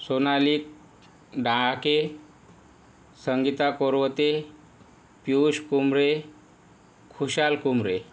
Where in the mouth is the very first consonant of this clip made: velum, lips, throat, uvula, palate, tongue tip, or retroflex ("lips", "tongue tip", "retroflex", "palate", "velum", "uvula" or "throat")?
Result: tongue tip